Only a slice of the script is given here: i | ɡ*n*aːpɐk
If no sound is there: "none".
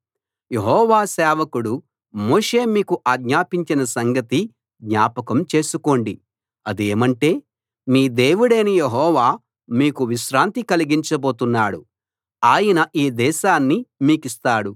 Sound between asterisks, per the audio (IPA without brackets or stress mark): ɲ